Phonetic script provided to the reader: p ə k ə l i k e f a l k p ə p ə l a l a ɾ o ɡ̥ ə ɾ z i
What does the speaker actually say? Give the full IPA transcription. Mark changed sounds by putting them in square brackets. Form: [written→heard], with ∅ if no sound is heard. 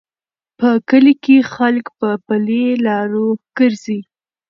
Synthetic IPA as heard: p ə k ə l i k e [f→x] a l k p ə p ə l [a→e] l [a→ɑ] ɾ o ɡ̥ ə ɾ z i